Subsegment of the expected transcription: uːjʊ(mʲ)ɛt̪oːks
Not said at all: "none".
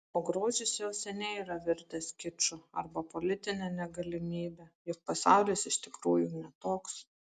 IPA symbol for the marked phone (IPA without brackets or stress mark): nʲ